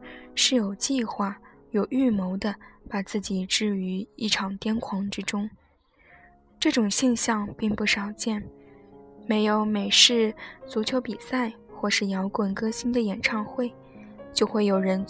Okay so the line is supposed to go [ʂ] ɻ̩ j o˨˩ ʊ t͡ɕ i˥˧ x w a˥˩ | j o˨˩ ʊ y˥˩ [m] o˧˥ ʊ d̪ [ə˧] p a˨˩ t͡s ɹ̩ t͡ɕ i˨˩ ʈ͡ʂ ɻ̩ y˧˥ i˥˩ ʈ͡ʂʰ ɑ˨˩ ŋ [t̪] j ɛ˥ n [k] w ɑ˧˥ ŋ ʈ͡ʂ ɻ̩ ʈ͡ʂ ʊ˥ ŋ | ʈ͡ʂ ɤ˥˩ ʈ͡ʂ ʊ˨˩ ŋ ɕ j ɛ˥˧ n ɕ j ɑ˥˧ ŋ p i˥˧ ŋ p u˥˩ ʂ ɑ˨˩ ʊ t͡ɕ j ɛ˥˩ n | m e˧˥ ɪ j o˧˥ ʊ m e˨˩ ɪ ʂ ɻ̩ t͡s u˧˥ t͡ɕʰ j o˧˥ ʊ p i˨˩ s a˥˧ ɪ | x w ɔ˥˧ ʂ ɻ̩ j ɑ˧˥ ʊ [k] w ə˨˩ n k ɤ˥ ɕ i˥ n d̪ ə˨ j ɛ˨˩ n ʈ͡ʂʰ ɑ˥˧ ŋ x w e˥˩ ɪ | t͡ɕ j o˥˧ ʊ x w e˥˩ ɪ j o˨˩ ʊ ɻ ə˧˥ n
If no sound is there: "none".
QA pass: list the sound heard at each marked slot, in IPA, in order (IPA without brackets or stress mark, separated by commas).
ʂ, m, ə˧, t̪, kʰ, k